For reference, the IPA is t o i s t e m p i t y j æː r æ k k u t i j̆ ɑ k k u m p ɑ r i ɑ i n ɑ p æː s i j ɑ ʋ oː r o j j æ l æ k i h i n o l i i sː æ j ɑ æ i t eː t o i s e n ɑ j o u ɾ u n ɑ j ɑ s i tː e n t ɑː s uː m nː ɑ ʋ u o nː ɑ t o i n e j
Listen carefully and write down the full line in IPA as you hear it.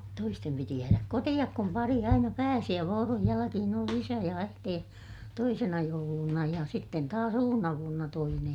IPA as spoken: t o i s t e m p i t i j æː r æ k k o t i j̆ ɑ k k u m p ɑ r i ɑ i n ɑ p æː s i j ɑ ʋ oː r o j j æ l æ k i h i n o l i i s æ j ɑ æ i t eː t o i s e n ɑ j o u l u n ɑ j ɑ s i tː e n t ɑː s uː nː ɑ ʋ u o nː ɑ t o i n e j